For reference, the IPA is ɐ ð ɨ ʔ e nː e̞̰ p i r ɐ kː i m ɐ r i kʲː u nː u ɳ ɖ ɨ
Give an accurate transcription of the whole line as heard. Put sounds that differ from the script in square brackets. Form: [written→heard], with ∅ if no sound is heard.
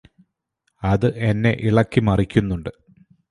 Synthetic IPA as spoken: ɐ ð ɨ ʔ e nː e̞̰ [p→ʔ] i [r→ɭ] ɐ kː i m ɐ r i kʲː u nː u ɳ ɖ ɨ